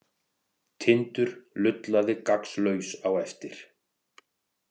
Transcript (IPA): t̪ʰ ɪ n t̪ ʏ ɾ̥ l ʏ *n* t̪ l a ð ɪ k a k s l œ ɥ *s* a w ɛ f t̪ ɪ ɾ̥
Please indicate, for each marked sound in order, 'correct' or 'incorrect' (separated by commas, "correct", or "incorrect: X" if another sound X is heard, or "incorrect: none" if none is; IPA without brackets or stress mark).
incorrect: none, correct